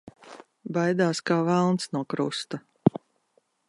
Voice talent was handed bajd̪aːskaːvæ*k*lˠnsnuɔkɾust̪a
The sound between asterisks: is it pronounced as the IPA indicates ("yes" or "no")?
no